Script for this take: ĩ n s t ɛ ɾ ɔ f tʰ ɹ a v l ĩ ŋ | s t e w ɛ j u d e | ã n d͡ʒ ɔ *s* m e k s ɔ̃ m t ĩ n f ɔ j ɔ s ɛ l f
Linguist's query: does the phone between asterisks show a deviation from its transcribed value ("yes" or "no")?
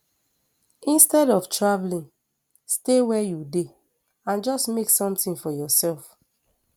no